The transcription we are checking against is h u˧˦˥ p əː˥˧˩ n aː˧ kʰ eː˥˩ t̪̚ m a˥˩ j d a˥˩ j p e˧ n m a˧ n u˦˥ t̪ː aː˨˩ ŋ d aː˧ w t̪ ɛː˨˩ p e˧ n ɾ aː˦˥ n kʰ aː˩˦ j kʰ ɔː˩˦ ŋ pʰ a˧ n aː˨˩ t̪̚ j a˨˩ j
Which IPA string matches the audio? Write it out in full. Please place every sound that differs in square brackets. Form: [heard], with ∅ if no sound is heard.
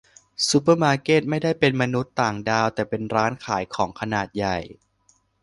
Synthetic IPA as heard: [s] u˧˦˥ p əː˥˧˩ [m] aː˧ [k] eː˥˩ t̪̚ m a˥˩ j d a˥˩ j p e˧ n m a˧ n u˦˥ t̪ː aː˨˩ ŋ d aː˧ w t̪ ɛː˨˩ p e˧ n ɾ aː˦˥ n kʰ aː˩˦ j kʰ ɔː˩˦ ŋ [kʰ] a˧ n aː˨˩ t̪̚ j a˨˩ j